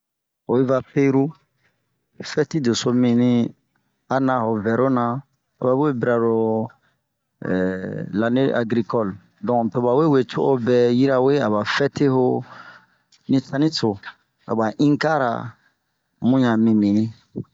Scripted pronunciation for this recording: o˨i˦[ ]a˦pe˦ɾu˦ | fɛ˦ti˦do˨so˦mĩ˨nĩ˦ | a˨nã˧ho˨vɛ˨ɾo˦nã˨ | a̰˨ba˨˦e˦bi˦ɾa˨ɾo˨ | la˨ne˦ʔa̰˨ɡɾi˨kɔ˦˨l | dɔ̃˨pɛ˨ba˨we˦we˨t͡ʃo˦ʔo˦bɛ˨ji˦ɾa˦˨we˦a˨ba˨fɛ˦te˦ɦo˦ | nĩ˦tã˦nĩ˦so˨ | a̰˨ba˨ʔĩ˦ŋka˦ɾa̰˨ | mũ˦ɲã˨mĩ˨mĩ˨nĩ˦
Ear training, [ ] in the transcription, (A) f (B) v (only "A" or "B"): B